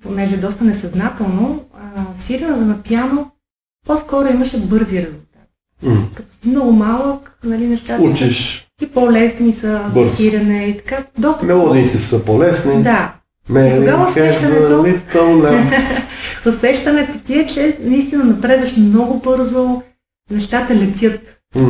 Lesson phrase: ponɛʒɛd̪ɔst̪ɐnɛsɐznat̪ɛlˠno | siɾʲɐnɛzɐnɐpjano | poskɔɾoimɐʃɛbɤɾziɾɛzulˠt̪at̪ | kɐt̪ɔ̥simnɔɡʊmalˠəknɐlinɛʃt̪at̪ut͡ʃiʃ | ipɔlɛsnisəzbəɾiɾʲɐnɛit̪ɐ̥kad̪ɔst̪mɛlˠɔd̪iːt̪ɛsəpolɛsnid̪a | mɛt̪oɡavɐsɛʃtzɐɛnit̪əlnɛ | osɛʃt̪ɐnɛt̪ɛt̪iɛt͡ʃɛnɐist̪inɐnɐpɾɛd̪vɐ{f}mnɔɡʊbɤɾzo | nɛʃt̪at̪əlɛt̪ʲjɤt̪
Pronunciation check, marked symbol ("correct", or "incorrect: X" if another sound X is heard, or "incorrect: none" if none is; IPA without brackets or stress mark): incorrect: ʃ